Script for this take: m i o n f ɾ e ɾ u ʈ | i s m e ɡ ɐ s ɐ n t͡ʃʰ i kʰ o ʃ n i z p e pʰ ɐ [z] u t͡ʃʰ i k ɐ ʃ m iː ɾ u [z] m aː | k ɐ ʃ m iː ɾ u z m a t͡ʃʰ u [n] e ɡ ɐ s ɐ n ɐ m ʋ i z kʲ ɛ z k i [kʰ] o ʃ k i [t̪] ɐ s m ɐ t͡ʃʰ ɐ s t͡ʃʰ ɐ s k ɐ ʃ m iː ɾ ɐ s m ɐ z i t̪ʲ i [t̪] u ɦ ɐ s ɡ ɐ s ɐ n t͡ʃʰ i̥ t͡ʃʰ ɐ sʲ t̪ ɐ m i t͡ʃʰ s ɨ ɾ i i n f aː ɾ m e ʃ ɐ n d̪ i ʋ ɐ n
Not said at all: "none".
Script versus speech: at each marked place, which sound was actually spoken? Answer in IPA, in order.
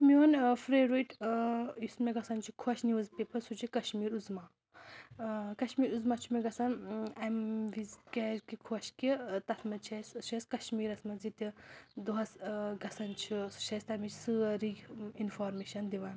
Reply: s, z, m, kʰ, t̪, d̪

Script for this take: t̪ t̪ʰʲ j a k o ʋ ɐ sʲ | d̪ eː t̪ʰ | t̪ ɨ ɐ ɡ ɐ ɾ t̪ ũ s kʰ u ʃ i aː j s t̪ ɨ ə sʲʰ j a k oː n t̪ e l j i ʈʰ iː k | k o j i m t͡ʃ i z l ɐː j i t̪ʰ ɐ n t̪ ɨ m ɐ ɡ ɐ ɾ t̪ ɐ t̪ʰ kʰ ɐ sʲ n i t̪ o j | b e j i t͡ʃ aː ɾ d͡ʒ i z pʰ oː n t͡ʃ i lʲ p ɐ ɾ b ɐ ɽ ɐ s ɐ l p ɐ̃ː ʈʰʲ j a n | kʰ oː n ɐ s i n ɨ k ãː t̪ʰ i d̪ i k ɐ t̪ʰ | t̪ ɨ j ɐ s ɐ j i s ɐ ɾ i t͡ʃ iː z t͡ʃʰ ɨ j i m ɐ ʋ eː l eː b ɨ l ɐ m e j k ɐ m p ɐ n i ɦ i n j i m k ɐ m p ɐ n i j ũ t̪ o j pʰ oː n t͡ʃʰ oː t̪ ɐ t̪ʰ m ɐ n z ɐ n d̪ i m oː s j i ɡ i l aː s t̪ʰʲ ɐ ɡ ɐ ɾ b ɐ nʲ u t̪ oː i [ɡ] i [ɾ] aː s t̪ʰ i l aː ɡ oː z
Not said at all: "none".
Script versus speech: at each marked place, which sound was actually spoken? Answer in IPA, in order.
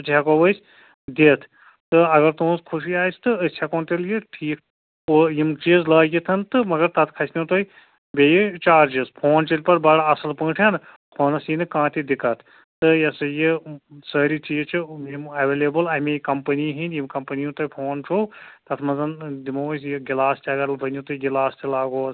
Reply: ɡ, l

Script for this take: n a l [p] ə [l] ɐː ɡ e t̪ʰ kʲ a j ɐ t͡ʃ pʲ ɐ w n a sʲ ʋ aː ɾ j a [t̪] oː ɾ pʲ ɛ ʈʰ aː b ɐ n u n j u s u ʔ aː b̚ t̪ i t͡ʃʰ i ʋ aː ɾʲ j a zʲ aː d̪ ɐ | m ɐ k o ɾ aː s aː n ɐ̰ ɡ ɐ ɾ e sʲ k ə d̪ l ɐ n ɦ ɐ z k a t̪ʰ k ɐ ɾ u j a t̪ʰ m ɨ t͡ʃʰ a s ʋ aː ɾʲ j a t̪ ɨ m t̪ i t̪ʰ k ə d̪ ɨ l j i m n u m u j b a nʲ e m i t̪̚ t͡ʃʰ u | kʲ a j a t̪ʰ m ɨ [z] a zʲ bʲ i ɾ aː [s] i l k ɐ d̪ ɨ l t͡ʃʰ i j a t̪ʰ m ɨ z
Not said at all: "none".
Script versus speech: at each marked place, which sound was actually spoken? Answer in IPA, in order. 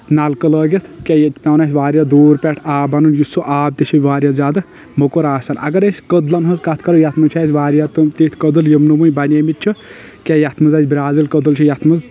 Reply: k, l, d̪, z, z

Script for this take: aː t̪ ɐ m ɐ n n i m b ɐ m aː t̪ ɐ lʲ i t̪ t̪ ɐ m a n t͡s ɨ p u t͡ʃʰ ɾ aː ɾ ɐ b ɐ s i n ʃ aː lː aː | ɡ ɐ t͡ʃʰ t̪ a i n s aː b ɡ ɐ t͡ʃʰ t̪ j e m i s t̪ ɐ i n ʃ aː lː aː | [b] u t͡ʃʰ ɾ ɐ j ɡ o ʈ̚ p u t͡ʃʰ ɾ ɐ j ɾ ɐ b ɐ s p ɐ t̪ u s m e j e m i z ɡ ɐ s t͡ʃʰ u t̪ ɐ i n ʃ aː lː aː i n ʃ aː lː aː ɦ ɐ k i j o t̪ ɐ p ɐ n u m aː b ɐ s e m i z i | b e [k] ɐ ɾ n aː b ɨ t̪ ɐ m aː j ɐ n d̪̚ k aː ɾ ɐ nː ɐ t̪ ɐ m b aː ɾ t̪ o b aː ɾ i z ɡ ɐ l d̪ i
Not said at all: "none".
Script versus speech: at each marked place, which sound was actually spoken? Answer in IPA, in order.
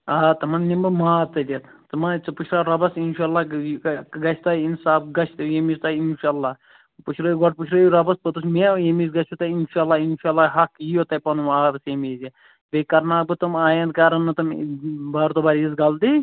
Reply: p, k

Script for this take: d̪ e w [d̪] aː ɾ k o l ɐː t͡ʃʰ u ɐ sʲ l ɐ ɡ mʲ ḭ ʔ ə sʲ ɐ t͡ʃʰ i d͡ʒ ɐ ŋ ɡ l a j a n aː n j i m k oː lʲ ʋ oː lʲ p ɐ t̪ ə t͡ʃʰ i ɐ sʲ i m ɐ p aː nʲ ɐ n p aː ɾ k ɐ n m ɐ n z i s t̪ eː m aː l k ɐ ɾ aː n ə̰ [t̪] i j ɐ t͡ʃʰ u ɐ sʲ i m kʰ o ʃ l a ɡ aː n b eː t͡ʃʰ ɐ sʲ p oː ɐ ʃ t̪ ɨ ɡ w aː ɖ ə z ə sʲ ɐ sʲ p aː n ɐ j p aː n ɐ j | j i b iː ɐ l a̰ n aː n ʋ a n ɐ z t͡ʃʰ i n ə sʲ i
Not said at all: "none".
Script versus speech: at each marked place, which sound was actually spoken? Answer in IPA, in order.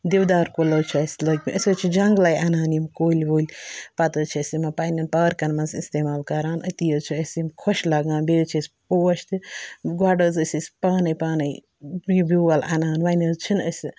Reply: d̪, t̪

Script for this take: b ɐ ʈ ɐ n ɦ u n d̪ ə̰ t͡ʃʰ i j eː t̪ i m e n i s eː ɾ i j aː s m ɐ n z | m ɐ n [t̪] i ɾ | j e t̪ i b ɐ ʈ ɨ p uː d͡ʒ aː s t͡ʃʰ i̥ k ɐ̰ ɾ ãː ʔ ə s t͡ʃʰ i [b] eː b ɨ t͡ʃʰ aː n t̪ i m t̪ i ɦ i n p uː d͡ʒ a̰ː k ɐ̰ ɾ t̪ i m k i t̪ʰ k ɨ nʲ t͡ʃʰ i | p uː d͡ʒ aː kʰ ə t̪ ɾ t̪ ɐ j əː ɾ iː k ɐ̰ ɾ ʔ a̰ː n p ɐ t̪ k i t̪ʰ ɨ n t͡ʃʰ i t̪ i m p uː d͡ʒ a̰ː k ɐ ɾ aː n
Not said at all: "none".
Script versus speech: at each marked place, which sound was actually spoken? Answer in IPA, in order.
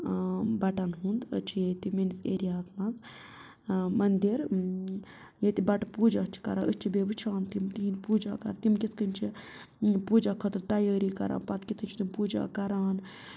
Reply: d̪, b

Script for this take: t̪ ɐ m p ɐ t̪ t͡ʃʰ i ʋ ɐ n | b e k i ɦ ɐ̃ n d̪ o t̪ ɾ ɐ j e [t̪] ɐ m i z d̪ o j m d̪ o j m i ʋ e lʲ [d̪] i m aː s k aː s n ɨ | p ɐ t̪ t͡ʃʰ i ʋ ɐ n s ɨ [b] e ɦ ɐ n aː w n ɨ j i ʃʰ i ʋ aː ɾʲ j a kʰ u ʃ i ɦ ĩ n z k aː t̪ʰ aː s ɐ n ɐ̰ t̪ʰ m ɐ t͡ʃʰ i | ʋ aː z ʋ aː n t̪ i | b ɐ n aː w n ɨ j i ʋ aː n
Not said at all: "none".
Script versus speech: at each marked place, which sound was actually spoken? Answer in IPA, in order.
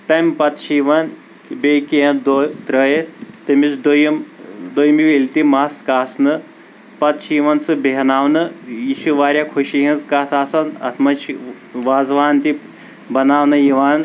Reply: t̪, t̪, b

